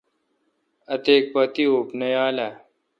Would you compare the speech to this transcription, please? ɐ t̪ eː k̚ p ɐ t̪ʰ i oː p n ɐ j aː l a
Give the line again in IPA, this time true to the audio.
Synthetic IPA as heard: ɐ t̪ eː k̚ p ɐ t̪ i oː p n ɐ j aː l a